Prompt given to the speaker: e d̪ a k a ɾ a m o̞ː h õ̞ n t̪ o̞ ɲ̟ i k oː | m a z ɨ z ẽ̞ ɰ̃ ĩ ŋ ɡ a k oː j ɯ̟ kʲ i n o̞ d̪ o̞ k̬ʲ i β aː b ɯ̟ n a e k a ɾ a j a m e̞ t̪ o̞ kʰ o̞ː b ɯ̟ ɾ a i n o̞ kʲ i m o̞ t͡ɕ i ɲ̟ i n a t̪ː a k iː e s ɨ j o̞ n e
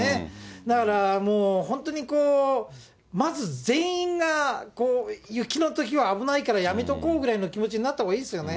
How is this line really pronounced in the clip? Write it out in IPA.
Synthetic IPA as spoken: e d̪ a k a ɾ a m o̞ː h õ̞ n t̪ o̞ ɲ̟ i k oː | m a z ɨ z ẽ̞ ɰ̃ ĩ ŋ ɡ a k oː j ɯ̟ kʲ i n o̞ t̪ o̞ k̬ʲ i β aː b ɯ̟ n a i k a ɾ a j a m e̞ t̪ o̞ k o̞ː ɡ ɯ̟ ɾ a i n o̞ kʲ i m o̞ t͡ɕ i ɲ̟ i n a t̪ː a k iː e s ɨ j o̞ n e

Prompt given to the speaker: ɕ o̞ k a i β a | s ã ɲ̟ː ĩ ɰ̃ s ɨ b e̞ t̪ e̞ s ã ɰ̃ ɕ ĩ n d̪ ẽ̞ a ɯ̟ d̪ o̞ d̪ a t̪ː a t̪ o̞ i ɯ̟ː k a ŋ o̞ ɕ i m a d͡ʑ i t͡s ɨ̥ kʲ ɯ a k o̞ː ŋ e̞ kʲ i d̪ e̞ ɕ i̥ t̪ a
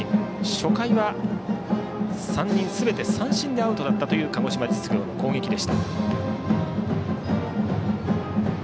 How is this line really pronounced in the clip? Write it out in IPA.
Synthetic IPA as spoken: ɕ o̞ k a i β a | s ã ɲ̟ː ĩ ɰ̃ s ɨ b e̞ t̪ e̞ s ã ɰ̃ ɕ ĩ n d̪ e̞ a ɯ̟ t̪ o̞ d̪ a t̪ː a t̪ o̞ j ɯ̟ː k a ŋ o̞ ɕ i m a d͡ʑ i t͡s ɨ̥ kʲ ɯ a k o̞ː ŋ e̞ kʲ i d̪ e̞ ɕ i̥ t̪ a

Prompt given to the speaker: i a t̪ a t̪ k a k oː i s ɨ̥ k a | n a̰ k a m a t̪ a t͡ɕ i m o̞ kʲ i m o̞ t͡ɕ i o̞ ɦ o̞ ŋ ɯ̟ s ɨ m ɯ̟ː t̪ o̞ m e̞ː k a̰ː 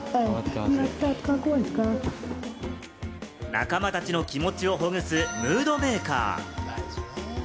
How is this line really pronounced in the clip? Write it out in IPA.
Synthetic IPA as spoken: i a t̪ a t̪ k a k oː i s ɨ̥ k a | n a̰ k a m a t̪ a t͡ɕ i n o̞ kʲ i m o̞ t͡ɕ i o̞ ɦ o̞ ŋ ɯ̟ s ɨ m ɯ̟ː d̪ o̞ m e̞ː k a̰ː

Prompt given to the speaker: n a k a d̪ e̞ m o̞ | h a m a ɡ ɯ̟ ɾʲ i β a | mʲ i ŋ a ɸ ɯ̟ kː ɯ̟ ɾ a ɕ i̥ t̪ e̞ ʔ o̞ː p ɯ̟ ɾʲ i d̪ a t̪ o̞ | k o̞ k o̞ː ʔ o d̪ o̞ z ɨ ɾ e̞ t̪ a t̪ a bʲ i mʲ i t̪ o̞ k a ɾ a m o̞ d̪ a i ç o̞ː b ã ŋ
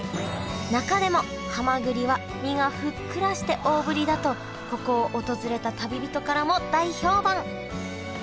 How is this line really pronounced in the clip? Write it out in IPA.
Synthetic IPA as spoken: n a k a d̪ e̞ m o̞ | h a m a ɡ ɯ̟ ɾʲ i β a | mʲ i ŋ a ɸ ɯ̟ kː ɯ̟ ɾ a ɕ i̥ t̪ e̞ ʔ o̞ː b ɯ̟ ɾʲ i d̪ a t̪ o̞ | k o̞ k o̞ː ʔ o t̪ o̞ z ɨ ɾ e̞ t̪ a t̪ a bʲ i bʲ i t̪ o̞ k a ɾ a m o̞ d̪ a i ç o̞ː b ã ŋ

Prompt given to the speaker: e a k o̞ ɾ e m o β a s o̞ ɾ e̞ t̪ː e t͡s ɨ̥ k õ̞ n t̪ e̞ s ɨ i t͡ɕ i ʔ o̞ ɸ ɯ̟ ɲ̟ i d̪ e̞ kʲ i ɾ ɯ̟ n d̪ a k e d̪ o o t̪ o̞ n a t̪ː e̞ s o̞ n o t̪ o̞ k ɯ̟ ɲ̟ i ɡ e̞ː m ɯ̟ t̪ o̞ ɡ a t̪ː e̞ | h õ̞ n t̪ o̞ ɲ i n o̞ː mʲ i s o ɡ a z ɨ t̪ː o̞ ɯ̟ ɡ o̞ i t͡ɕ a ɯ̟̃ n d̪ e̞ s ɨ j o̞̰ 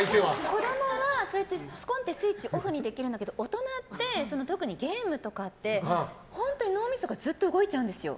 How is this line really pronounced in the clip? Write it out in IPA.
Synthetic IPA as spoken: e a k o̞ ɾ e m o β a s o̞ ɾ e̞ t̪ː e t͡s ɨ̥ k õ̞ n t̪ e̞ s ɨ i t͡ɕ i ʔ o̞ ɸ ɯ̟ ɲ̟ i d̪ e̞ kʲ i ɾ ɯ̟ n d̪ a k e d̪ o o t̪ o̞ n a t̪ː e̞ s o̞ n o t̪ o̞ k ɯ̟ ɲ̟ i ɡ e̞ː m ɯ̟ t̪ o̞ k a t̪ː e̞ | h õ̞ n t̪ o̞ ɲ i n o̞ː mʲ i s o ɡ a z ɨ t̪ː o̞ ɯ̟ ɡ o̞ i t͡ɕ a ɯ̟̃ n d̪ e̞ s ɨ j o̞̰

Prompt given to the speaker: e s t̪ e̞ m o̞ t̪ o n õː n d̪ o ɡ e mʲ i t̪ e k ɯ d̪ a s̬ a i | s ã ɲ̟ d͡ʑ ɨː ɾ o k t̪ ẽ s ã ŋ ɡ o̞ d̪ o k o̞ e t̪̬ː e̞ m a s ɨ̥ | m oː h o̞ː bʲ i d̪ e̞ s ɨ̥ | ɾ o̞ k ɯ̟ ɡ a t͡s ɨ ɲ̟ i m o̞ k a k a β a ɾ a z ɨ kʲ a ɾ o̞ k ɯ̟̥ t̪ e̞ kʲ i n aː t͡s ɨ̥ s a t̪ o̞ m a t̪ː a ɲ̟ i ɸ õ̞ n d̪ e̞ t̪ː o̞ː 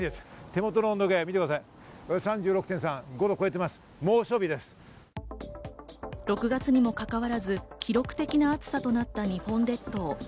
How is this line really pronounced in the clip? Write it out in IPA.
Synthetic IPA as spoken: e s t̪ e̞ m o̞ t̪ o n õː n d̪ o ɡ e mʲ i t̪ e k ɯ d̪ a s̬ a i | s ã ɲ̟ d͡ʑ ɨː ɾ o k t̪ ẽ s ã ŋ ɡ o̞ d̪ o k o̞ e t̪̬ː e̞ m a s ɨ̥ | m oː ɕ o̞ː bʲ i d̪ e̞ s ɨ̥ | ɾ o̞ k ɯ̟ ɡ a t͡s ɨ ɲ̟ i m o̞ k a k a β a ɾ a z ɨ kʲ i ɾ o̞ k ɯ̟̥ t̪ e̞ kʲ i n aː t͡s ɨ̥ s a t̪ o̞ n a t̪ː a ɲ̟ i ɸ õ̞ n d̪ e̞ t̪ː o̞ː

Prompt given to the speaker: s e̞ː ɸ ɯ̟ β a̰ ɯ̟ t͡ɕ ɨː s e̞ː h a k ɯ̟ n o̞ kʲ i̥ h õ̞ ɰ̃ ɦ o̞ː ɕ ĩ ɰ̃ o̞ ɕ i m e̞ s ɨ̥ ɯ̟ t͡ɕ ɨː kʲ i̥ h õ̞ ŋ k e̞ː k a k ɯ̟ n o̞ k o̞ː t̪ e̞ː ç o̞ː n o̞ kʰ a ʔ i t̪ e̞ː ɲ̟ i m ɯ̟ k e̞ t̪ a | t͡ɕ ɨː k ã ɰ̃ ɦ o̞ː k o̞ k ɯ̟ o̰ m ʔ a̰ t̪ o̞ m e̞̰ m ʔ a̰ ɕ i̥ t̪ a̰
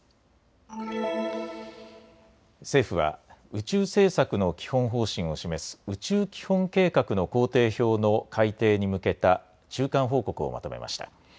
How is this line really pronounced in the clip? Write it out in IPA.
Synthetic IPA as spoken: s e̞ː ɸ ɯ̟ β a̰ ɯ̟ t͡ɕ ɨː s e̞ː s a k ɯ̟ n o̞ kʲ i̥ h õ̞ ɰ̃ ɦ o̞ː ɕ ĩ ɰ̃ o̞ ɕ i m e̞ s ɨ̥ ɯ̟ t͡ɕ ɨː kʲ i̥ h õ̞ ŋ k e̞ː k a k ɯ̟ n o̞ k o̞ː t̪ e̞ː ç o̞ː n o̞ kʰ a i t̪ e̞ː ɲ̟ i m ɯ̟ k e̞ t̪ a | t͡ɕ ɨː k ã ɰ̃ ɦ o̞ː k o̞ k ɯ̟ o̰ m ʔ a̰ t̪ o̞ m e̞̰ m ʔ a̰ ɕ i̥ t̪ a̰

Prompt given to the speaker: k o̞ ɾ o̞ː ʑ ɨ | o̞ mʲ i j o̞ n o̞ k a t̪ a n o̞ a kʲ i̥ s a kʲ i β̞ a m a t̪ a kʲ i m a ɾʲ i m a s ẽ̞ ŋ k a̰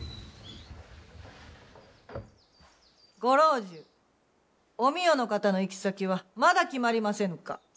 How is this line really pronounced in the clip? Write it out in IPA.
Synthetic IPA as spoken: ɡ o̞ ɾ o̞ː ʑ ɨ | o̞ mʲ i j o̞ n o̞ k a t̪ a n o̞ i kʲ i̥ s a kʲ i β̞ a m a d̪ a kʲ i m a ɾʲ i m a s ẽ̞ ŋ k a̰

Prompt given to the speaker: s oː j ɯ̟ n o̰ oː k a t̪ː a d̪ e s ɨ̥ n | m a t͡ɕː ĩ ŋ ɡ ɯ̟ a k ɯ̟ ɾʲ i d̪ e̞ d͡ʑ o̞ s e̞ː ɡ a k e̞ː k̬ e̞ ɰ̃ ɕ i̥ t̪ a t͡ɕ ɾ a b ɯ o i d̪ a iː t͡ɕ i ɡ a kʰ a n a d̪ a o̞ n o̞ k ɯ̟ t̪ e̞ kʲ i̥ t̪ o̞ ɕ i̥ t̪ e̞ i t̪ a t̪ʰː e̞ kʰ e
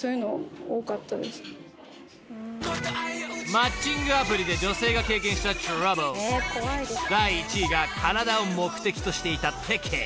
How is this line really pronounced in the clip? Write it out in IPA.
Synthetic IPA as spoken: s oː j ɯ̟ n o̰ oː k a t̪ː a d̪ e s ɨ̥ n | m a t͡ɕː ĩ ŋ ɡ ɯ̟ a p ɯ̟ ɾʲ i d̪ e̞ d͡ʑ o̞ s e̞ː ɡ a k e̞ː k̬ ẽ̞ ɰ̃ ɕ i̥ t̪ a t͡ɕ ɾ a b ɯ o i d̪ a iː t͡ɕ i ɡ a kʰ a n a d̪ a o̞ m o̞ k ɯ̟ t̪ e̞ kʲ i̥ t̪ o̞ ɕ i̥ t̪ e̞ i t̪ a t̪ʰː e̞ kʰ e

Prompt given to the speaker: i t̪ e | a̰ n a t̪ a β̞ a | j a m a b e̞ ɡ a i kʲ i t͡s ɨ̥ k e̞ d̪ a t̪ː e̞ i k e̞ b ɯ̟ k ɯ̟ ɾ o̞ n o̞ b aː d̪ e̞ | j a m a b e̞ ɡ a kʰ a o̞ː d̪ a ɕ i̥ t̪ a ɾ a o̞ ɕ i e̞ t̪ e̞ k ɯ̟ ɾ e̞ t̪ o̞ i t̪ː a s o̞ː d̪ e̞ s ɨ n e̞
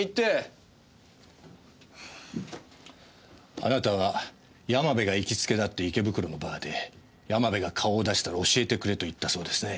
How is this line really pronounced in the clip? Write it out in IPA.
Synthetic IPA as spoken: i t̪ e | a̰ n a t̪ a β̞ a | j a m a b e̞ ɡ a i kʲ i t͡s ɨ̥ k e̞ d̪ a t̪ː e̞ i k e̞ b ɯ̟ k ɯ̟ ɾ o̞ n o̞ b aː d̪ e̞ | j a m a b e̞ ɡ a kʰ a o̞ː d̪ a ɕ i̥ t̪ a ɾ a o̞ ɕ i e̞ t̪ e̞ k ɯ̟ ɾ e̞ t̪ o̞ i t̪ː a s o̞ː d̪ e̞ s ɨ n e̞

